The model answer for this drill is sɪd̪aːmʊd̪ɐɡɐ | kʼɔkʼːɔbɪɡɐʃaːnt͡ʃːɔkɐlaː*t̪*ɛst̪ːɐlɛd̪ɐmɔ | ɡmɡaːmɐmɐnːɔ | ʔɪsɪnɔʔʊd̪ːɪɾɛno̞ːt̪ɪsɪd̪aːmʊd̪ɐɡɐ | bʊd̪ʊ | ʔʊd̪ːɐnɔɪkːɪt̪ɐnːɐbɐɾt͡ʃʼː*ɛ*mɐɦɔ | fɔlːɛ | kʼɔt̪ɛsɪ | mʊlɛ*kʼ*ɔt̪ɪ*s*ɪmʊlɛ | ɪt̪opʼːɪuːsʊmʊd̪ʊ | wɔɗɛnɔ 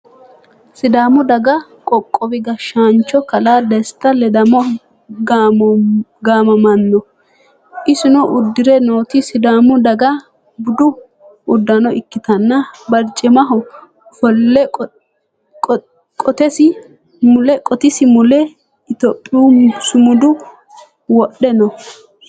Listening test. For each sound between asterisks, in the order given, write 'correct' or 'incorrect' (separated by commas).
incorrect, correct, correct, correct